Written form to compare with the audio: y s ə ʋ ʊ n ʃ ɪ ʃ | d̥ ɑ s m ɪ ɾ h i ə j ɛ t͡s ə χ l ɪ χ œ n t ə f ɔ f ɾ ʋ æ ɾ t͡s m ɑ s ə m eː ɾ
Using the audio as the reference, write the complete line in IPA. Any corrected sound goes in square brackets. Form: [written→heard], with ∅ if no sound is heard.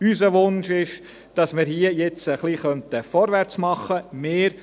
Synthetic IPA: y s ə ʋ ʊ n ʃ ɪ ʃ | d̥ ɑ s m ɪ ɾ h i ə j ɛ t͡s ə χ l [ɪ→i] χ œ n t ə f ɔ [f→∅] ɾ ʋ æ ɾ t͡s m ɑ [s→χ] ə m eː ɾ